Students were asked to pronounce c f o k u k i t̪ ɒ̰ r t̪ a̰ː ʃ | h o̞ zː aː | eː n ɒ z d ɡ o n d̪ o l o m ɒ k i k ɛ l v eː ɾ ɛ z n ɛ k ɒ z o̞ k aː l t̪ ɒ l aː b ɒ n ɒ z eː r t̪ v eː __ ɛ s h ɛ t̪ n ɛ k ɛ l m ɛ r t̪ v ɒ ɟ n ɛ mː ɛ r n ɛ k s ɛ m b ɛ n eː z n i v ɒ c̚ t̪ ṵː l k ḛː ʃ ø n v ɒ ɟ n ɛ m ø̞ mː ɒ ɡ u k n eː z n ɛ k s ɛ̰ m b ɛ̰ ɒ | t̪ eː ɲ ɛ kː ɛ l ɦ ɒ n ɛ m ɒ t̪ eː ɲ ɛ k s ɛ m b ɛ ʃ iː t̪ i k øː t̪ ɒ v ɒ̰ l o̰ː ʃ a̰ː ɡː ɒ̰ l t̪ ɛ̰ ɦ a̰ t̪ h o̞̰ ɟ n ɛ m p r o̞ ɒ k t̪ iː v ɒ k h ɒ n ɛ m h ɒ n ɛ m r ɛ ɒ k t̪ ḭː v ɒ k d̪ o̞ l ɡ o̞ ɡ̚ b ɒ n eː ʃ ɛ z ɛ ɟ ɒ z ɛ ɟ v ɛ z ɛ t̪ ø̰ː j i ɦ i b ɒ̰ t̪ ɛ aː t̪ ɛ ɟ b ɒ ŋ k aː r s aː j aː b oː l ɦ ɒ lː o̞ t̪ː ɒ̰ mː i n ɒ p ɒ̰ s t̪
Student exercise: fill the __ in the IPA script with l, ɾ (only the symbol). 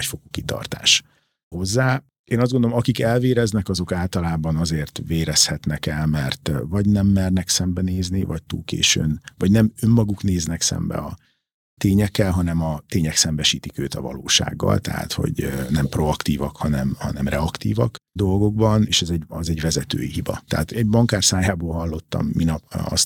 ɾ